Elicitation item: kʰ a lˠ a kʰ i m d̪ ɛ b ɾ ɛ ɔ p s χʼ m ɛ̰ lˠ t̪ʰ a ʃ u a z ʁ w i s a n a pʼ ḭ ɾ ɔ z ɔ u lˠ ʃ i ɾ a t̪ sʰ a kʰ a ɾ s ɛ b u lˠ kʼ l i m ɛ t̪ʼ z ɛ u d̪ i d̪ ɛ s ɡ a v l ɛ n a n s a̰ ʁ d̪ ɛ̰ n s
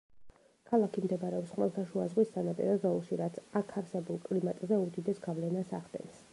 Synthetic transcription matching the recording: kʰ a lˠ a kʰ i m d̪ ɛ b ɾ ɛ ɔ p s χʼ m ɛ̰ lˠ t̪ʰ a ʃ u a z ʁ w i s a n a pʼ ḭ ɾ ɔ z ɔ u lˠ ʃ i ɾ a t̪ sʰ a kʰ a ɾ s ɛ b u lˠ kʼ l i m a t̪ʼ z ɛ u d̪ i d̪ ɛ s ɡ a v l ɛ n a s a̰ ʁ d̪ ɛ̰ n s